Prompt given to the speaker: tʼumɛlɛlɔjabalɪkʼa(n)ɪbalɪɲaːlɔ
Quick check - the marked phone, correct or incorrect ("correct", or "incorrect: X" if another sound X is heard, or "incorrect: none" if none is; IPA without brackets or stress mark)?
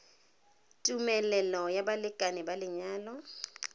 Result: correct